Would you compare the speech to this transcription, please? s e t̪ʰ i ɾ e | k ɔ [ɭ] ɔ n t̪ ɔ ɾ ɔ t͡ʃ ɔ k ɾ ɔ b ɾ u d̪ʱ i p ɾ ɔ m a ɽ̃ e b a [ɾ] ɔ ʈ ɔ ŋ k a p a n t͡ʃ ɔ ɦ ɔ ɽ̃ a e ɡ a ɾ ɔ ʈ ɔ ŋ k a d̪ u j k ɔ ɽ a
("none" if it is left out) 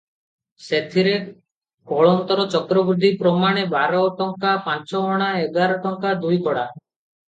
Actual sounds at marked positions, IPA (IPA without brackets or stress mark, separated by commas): ɭ, ɾ